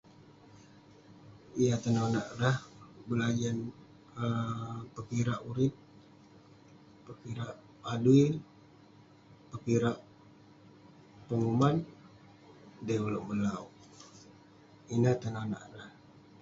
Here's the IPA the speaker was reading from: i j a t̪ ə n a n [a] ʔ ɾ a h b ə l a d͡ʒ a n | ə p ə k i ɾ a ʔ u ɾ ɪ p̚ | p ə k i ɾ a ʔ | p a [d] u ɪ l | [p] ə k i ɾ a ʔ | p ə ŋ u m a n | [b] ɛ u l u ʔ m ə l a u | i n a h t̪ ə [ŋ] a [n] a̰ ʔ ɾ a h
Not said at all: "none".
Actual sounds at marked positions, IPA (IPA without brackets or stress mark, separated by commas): a, d, p, d, n, n